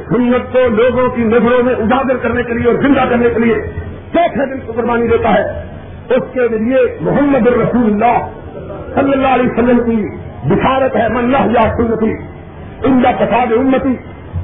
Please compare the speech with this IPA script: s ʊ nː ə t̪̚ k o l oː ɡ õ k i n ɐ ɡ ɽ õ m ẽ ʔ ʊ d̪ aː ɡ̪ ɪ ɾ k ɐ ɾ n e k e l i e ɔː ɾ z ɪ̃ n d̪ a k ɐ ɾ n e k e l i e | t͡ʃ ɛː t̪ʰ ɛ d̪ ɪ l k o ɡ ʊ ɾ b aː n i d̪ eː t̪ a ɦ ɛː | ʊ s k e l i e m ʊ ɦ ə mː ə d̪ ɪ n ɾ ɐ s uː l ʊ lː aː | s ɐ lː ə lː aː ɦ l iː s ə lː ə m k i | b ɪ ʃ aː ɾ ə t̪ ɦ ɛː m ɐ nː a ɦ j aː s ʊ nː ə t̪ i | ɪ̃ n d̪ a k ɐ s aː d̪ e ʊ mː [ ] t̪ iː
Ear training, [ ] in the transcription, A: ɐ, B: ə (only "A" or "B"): B